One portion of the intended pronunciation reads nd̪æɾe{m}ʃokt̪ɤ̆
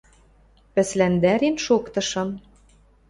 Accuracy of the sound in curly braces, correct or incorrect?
incorrect